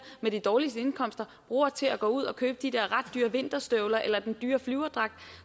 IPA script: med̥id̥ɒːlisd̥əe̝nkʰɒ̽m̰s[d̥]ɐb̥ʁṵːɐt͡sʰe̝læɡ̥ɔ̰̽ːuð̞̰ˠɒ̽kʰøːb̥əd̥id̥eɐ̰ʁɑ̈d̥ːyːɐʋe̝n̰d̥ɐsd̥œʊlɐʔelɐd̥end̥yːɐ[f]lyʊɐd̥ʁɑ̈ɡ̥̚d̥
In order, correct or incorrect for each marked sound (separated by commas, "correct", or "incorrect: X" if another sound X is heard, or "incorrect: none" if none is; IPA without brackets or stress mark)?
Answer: correct, correct